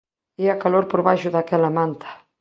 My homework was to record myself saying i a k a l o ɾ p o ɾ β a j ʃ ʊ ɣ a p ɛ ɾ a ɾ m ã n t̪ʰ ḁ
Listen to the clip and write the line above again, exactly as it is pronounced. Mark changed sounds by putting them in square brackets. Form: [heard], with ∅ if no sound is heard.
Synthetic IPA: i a k a l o ɾ p o ɾ β a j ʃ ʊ [ð] a [k] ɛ [l] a [∅] m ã n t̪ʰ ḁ